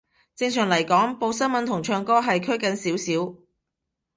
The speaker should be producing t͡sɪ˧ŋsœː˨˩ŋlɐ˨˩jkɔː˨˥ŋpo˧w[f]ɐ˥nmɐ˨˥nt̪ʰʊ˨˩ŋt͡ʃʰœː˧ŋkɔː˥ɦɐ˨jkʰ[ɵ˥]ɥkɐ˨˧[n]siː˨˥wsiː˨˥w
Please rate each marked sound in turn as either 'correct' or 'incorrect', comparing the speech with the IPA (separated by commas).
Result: incorrect, correct, correct